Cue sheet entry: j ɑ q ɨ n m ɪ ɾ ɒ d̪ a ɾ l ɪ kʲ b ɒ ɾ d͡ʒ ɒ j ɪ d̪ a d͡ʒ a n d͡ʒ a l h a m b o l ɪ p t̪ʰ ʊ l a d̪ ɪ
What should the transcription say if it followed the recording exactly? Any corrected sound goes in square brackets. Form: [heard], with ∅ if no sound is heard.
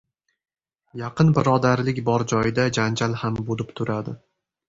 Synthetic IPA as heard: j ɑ q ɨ n [b] ɪ ɾ ɒ d̪ a ɾ l ɪ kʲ b ɒ ɾ d͡ʒ ɒ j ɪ d̪ a d͡ʒ a n d͡ʒ a l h a m b o l ɪ p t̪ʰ ʊ [ɾ] a d̪ ɪ